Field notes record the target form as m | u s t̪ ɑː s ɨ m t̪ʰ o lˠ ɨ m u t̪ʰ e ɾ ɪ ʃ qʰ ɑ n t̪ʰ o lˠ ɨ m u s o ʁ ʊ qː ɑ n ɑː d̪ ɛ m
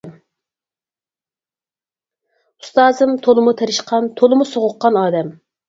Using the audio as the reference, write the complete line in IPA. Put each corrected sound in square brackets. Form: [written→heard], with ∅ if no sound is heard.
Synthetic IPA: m | u s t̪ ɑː [s→z] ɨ m t̪ʰ o lˠ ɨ m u t̪ʰ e ɾ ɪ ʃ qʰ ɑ n t̪ʰ o lˠ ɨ m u s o ʁ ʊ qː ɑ n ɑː d̪ ɛ m